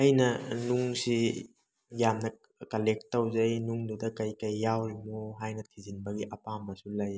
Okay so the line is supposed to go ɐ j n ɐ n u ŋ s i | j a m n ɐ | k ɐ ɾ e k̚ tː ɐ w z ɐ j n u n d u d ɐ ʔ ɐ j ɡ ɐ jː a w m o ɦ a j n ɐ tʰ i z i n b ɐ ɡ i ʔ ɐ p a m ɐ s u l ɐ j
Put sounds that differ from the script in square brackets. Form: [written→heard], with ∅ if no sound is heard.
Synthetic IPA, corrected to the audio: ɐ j n ɐ n u ŋ s i | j a m n ɐ | k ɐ [ɾ→l] e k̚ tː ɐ w z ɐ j n u [n→ŋ] d u d ɐ [ʔ→k] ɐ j [ɡ→k] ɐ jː a w m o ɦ a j n ɐ tʰ i z i n b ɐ ɡ i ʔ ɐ p a m ɐ s u l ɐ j